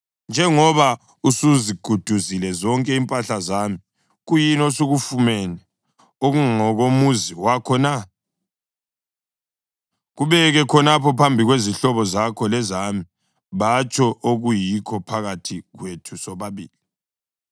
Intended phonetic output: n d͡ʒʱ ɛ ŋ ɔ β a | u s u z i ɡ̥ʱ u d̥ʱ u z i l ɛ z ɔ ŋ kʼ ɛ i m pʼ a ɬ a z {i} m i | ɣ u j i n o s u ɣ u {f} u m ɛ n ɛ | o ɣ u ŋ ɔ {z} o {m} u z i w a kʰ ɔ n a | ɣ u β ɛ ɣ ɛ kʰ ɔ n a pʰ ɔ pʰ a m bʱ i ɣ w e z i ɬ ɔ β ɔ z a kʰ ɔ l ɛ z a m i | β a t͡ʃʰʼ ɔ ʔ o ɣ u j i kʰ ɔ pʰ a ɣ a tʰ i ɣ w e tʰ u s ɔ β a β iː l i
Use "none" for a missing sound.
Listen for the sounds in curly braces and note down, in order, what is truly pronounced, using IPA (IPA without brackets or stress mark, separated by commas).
a, f, ɣ, m